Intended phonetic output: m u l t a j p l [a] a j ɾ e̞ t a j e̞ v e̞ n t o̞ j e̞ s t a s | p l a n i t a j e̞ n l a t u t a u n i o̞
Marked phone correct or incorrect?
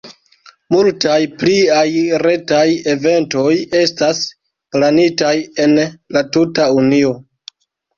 incorrect